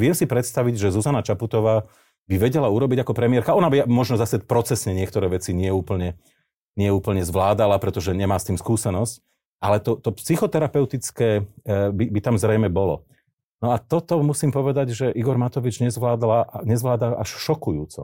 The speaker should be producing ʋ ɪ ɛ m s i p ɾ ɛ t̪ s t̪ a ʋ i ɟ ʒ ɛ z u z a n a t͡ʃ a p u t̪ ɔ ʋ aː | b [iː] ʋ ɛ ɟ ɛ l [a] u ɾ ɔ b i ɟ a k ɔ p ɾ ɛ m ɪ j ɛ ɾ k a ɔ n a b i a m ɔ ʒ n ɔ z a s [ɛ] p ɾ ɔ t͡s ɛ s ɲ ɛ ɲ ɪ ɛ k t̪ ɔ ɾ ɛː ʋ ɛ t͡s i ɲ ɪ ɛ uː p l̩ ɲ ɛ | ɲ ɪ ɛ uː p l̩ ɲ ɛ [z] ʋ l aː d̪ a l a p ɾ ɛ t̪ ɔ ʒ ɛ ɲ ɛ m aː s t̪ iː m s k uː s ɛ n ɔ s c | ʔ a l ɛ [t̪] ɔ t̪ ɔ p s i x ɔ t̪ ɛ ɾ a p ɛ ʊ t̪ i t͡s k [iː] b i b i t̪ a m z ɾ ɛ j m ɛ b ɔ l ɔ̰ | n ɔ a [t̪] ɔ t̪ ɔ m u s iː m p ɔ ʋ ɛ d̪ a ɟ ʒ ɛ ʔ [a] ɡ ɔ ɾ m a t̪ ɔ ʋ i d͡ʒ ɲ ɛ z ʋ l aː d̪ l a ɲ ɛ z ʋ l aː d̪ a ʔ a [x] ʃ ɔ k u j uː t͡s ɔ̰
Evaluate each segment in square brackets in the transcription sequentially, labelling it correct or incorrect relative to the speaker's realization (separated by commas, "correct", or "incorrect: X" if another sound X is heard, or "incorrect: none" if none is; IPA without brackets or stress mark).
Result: incorrect: i, correct, correct, correct, correct, incorrect: ɛː, correct, incorrect: i, incorrect: ʃ